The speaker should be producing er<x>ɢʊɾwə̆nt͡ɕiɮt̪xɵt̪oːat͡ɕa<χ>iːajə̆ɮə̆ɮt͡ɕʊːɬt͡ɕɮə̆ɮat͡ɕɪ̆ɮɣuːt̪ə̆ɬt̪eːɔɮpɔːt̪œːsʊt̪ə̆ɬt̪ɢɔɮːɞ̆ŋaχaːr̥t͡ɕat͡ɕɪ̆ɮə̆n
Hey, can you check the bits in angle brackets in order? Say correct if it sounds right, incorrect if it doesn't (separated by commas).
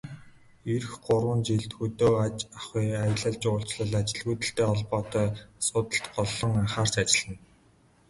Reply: correct, correct